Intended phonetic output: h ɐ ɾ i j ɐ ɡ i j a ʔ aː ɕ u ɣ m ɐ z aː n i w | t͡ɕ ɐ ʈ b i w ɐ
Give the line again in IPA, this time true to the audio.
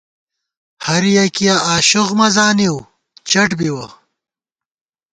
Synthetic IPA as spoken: h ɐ ɾ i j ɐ k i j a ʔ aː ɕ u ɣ m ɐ z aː n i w | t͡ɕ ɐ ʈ b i w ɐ